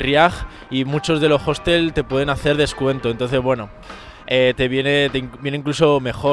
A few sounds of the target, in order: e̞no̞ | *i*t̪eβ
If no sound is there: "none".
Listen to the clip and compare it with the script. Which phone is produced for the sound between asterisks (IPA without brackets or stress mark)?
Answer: e